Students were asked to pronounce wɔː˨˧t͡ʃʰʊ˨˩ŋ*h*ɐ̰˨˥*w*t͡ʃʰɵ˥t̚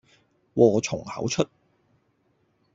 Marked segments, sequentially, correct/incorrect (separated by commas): correct, correct